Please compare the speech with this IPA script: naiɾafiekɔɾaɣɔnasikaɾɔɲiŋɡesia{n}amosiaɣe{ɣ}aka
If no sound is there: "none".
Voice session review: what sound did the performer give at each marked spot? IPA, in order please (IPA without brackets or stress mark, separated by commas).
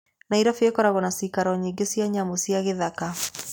ɲ, ð